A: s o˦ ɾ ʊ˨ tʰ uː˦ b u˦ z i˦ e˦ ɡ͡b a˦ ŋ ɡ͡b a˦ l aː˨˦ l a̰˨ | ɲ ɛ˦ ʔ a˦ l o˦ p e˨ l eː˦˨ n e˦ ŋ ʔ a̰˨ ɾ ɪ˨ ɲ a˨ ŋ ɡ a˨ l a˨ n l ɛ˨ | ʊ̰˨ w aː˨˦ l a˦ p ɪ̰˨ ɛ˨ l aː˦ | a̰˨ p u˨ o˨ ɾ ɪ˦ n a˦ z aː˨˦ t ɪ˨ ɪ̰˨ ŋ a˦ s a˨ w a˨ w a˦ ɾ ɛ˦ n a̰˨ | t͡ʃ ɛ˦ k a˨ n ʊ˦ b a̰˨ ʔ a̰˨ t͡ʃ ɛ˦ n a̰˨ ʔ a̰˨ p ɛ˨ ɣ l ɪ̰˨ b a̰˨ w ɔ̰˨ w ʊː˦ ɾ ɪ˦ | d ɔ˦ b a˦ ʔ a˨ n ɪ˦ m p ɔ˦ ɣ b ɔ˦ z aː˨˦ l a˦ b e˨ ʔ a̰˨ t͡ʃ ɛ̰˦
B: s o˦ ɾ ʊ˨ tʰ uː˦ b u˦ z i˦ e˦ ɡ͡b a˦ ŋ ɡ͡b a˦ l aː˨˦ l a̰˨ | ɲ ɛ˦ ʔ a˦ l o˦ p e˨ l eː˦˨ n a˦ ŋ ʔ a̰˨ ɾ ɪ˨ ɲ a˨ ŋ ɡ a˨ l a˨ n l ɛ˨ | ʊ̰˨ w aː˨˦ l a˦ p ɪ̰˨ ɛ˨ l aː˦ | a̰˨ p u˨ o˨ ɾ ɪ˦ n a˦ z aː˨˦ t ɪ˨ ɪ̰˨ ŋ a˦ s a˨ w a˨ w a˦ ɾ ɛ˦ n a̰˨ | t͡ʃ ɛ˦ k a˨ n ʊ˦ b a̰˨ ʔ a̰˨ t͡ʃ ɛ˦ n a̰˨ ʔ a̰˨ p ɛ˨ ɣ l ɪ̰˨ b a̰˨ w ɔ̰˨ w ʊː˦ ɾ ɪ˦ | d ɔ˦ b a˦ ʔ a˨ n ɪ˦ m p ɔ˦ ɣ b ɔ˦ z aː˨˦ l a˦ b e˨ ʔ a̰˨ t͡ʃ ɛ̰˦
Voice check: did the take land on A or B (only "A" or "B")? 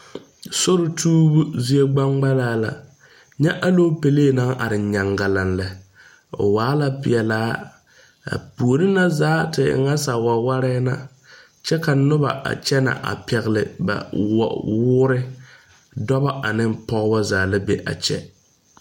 B